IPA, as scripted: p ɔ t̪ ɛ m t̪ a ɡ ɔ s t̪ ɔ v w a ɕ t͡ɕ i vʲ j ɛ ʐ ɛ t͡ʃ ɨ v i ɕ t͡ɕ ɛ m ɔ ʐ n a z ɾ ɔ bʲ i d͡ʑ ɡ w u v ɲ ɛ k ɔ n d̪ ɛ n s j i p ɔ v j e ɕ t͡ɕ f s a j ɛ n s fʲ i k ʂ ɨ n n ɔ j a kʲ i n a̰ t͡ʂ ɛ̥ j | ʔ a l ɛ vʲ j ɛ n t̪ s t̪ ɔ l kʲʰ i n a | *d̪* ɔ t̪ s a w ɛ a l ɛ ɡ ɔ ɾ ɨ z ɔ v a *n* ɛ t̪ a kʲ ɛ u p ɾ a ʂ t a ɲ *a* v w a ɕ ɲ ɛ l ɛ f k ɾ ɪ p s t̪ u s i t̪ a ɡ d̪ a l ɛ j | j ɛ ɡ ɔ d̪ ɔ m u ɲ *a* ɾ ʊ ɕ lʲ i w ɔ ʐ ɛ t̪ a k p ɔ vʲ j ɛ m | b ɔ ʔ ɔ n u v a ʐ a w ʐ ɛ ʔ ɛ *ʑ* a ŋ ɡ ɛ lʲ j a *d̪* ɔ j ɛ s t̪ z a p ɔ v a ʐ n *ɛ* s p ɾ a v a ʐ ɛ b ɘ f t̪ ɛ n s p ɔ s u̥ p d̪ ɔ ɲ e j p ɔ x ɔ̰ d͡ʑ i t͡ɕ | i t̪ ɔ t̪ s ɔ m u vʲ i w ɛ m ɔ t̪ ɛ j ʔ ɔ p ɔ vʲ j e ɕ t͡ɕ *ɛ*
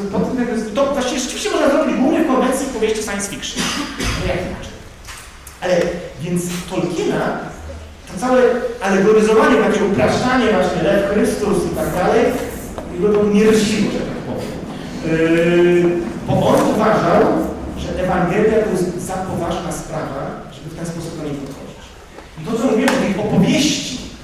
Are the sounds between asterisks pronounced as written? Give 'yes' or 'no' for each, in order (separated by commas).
no, no, no, no, no, no, no, no